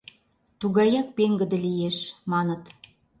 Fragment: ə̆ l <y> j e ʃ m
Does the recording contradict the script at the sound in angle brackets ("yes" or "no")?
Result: yes